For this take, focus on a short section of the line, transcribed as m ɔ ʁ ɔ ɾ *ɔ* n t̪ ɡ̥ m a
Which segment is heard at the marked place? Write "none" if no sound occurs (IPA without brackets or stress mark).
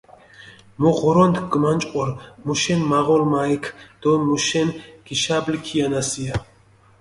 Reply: ɔ